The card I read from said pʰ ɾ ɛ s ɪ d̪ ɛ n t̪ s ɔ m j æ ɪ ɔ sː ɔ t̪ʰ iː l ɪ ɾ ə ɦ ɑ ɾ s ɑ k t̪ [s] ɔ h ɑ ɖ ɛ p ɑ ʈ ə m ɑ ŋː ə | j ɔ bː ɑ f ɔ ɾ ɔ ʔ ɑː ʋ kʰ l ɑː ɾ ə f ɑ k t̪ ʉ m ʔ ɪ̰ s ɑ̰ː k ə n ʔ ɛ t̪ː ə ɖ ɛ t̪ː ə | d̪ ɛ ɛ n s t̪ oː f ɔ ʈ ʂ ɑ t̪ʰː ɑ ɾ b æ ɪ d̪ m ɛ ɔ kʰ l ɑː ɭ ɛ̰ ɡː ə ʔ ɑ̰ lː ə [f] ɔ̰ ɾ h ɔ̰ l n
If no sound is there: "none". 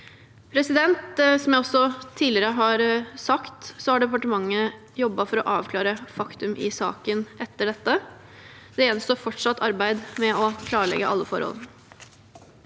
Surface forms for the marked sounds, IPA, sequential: s, f

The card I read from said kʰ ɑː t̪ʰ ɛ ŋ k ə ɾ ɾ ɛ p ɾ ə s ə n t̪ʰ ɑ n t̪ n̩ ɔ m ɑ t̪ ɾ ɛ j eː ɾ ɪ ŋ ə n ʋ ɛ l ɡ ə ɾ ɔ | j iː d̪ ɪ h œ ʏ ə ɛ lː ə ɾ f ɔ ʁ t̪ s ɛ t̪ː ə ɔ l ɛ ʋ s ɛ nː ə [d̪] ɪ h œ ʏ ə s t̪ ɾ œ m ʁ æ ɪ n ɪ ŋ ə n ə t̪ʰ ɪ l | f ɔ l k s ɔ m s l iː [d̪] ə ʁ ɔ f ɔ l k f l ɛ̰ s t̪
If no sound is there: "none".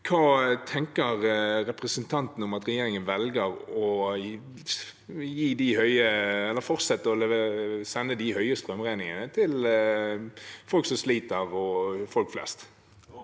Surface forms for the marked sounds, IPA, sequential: d̪, t̪

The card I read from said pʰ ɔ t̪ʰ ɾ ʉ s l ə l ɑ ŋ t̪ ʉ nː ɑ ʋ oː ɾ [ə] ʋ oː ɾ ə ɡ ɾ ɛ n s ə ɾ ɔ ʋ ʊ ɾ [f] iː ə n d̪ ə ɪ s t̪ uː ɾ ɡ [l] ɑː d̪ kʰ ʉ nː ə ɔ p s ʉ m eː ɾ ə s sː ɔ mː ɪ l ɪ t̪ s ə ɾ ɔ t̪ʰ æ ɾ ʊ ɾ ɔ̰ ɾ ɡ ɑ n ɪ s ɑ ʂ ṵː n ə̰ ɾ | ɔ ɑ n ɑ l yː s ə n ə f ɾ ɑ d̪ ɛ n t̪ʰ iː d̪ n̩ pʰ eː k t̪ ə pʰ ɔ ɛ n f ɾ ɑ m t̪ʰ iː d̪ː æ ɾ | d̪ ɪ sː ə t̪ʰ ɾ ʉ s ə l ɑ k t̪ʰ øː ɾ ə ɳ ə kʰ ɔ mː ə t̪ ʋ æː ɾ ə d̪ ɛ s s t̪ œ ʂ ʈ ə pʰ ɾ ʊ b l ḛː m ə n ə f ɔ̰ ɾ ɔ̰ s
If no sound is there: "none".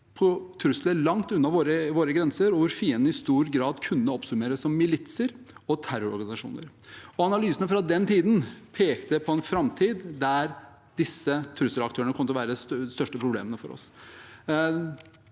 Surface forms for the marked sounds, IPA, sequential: ə, f, ɾ

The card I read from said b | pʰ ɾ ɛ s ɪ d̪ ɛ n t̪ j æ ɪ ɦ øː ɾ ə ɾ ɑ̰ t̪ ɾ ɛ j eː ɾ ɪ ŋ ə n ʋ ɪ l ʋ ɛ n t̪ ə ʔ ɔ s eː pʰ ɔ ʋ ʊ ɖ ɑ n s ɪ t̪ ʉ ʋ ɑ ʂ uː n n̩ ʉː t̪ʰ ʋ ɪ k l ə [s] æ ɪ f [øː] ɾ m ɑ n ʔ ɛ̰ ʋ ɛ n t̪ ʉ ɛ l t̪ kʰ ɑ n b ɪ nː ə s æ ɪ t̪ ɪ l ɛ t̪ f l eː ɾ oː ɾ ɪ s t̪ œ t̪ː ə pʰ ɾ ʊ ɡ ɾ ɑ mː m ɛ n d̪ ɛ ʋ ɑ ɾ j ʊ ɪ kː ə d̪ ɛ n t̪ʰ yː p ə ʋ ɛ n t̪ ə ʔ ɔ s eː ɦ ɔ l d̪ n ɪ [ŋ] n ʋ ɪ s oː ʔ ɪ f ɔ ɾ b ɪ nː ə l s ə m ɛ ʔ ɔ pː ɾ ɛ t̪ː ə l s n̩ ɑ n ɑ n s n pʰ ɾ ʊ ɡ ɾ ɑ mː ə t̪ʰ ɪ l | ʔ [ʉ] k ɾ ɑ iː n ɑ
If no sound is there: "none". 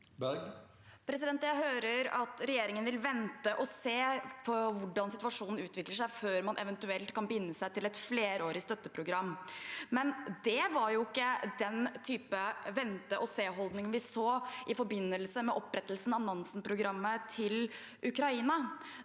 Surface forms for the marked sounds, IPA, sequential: ʂ, øː, ŋ, ʉ

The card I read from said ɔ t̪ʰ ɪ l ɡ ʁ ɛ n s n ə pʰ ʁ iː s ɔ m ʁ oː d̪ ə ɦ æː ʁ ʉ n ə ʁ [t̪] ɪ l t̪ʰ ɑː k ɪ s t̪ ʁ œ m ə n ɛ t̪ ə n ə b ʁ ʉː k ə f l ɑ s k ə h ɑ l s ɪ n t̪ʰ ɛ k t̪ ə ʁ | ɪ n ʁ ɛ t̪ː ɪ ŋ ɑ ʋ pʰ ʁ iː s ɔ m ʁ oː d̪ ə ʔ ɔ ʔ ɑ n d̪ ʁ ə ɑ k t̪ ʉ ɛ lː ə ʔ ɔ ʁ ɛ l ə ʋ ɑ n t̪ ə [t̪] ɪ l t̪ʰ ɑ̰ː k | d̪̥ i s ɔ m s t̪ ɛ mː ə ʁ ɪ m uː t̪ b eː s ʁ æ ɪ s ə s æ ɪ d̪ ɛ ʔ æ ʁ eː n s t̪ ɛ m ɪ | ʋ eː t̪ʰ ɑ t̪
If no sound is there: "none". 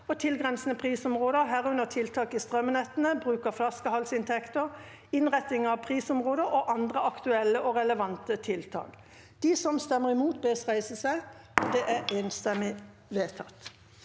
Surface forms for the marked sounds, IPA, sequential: t̪ʰ, t̪ʰ

